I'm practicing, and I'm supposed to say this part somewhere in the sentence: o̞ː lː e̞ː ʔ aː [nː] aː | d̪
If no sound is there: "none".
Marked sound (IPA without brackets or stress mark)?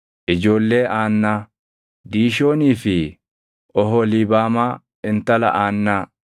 nː